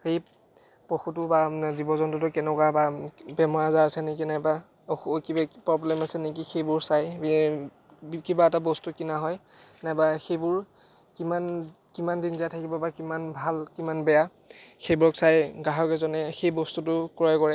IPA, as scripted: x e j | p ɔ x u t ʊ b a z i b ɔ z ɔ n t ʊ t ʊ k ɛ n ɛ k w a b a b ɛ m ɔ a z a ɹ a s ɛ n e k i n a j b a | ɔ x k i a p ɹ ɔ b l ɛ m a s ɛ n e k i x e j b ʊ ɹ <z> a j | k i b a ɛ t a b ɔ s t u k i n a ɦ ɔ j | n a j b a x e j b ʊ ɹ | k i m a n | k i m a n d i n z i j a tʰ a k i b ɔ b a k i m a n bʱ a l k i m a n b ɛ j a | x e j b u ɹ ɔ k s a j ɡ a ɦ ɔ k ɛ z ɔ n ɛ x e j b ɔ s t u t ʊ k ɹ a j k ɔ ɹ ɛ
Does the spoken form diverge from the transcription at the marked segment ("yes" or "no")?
yes